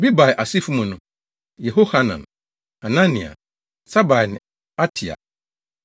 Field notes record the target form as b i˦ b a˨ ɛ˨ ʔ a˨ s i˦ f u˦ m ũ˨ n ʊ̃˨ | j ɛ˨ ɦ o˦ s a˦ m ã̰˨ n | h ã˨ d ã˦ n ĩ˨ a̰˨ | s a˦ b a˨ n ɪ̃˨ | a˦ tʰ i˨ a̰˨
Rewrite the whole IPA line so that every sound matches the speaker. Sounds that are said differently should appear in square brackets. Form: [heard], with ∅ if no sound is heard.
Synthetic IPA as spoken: b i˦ b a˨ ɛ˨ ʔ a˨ s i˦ f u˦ m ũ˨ n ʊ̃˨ | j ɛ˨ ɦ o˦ [h] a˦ [n] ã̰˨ n | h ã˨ [n] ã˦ n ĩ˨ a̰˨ | s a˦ b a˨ n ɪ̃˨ | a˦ tʰ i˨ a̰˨